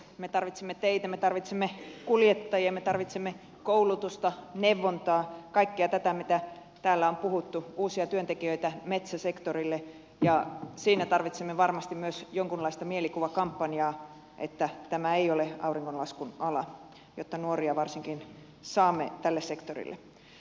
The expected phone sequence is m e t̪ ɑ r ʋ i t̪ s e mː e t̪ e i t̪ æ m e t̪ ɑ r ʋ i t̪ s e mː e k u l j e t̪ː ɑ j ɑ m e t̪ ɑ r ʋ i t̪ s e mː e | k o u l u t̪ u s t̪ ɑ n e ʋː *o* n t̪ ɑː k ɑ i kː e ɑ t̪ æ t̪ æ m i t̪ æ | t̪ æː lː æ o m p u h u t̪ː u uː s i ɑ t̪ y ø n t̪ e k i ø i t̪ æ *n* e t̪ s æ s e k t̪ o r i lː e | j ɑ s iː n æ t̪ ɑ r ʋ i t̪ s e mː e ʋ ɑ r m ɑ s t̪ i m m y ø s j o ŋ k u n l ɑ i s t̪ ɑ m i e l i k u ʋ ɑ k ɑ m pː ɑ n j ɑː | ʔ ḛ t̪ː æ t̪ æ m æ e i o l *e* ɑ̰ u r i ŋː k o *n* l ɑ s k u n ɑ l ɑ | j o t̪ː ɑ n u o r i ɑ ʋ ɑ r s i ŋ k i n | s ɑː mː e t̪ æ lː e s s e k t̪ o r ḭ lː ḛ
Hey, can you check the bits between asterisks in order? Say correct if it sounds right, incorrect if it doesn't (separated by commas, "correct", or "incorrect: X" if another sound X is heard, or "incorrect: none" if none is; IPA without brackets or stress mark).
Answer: correct, incorrect: m, correct, correct